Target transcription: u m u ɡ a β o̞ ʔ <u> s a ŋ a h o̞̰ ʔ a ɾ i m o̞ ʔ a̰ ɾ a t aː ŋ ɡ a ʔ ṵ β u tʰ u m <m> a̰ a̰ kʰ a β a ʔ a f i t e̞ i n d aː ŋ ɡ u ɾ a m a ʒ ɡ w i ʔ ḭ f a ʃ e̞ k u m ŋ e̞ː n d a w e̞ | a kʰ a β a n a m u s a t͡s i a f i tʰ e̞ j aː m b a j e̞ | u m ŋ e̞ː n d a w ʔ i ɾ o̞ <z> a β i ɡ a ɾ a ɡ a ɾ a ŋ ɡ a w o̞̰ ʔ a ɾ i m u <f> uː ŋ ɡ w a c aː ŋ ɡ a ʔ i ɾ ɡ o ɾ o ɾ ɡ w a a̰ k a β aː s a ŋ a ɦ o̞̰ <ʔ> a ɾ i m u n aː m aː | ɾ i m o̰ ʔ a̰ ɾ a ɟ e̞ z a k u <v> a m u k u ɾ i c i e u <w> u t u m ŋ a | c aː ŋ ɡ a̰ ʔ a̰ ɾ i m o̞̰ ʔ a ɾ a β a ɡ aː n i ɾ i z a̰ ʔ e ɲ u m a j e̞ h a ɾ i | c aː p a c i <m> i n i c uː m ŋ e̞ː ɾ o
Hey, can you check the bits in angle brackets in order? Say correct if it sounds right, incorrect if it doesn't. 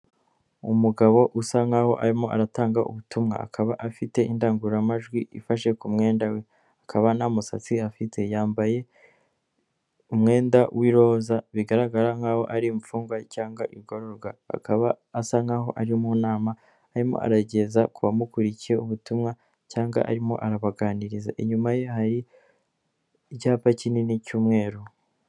correct, incorrect, correct, correct, correct, incorrect, incorrect, incorrect

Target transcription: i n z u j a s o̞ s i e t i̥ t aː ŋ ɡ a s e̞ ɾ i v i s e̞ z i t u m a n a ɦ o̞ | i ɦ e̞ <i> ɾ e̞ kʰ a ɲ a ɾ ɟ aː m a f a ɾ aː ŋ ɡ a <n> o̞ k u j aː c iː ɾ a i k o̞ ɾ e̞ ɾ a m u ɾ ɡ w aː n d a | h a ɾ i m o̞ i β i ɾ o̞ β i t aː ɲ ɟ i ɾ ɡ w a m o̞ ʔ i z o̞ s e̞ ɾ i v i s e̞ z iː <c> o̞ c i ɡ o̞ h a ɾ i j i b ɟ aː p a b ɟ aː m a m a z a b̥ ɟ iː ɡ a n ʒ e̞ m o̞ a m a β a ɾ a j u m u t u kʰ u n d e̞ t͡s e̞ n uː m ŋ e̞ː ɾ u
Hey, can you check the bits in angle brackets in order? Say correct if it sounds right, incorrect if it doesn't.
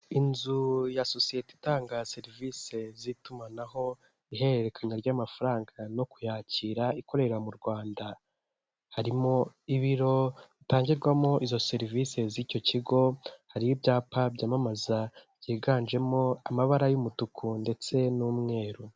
incorrect, correct, correct

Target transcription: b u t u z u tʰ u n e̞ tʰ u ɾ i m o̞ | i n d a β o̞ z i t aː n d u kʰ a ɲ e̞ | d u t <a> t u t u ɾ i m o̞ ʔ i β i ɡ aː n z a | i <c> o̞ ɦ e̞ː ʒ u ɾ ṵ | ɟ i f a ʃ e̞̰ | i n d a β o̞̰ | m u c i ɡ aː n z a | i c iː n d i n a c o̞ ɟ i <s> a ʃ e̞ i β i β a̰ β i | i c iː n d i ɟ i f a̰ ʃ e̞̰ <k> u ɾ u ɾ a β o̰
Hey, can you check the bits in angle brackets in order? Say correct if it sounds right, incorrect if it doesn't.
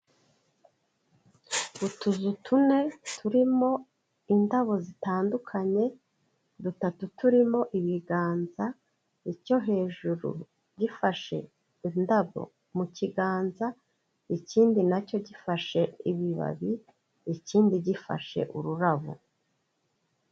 correct, correct, incorrect, incorrect

